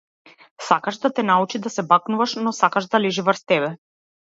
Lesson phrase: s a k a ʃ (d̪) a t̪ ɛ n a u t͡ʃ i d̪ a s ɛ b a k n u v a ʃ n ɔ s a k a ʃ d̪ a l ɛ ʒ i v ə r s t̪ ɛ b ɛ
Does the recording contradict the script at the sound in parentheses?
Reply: no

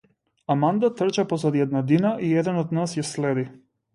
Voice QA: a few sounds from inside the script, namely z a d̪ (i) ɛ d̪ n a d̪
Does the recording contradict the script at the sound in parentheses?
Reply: no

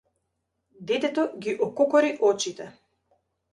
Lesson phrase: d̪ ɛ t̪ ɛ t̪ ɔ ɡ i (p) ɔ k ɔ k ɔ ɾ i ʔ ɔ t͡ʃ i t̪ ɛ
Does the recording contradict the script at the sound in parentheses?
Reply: yes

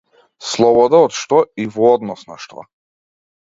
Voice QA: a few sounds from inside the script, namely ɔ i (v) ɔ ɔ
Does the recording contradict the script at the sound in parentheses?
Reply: no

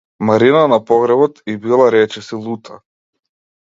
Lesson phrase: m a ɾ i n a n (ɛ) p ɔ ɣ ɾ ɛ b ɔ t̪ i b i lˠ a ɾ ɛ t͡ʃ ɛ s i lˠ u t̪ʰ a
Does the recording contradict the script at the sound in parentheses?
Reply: yes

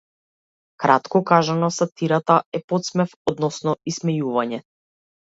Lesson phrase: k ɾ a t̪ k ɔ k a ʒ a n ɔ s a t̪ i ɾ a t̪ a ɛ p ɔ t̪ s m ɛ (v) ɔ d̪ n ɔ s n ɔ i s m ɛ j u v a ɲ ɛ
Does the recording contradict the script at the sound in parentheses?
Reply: yes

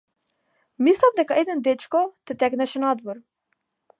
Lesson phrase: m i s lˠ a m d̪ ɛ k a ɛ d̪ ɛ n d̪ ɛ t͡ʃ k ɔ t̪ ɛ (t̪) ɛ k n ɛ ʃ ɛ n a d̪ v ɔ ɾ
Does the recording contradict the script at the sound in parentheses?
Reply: no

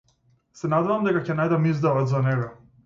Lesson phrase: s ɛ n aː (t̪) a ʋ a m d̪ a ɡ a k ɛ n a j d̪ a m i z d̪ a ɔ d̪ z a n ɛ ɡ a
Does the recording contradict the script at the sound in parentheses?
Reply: yes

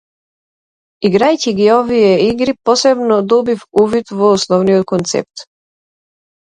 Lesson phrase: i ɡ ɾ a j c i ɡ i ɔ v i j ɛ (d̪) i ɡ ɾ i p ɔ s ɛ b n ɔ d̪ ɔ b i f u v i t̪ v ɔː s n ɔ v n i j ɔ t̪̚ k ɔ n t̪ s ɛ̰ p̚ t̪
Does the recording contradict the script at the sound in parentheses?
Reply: yes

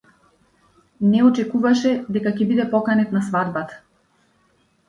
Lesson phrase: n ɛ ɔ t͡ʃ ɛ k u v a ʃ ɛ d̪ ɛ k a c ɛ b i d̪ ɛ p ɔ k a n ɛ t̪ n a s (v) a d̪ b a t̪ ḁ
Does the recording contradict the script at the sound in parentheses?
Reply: no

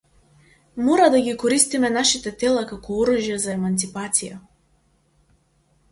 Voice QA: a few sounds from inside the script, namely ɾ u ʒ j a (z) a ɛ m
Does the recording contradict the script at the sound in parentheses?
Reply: no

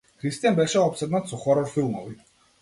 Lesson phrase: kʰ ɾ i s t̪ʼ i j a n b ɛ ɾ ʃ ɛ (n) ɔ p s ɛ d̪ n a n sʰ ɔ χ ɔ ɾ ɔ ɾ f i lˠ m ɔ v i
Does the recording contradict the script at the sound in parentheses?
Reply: yes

